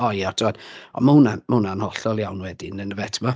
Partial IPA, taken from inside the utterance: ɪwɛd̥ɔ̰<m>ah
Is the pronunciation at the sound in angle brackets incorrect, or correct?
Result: correct